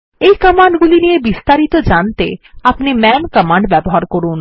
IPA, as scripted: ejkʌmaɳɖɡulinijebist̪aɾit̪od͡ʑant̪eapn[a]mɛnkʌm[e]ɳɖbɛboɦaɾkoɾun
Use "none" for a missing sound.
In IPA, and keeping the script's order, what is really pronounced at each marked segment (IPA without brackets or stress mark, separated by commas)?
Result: i, a